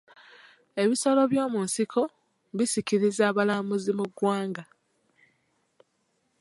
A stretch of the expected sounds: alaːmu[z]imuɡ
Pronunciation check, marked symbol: correct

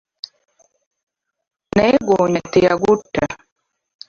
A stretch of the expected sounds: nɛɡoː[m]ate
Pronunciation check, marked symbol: incorrect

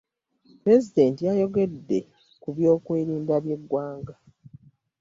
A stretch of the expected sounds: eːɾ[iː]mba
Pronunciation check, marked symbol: correct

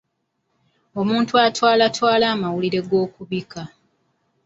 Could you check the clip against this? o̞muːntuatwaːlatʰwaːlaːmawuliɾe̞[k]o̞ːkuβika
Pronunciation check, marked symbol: incorrect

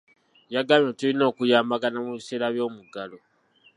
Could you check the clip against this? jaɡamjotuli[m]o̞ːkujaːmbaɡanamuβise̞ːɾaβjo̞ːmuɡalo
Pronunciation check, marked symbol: incorrect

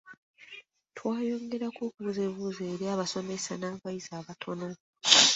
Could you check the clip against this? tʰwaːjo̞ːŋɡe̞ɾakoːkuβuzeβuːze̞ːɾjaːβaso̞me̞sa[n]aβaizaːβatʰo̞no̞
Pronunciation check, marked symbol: correct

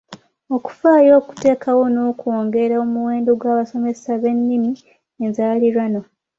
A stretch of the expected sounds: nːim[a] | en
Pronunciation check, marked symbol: incorrect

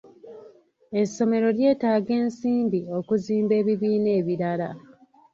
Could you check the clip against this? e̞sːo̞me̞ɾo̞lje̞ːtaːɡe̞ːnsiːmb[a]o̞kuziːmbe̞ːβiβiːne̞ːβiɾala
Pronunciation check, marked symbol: incorrect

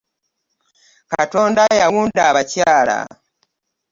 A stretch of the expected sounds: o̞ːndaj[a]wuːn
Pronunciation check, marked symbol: correct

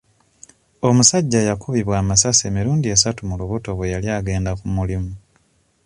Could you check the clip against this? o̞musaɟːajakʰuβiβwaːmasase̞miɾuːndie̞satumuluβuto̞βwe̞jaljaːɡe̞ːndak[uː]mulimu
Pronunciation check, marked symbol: incorrect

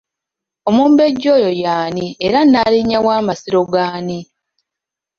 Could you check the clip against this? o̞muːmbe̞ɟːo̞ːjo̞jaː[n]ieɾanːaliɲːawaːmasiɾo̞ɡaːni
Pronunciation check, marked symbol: correct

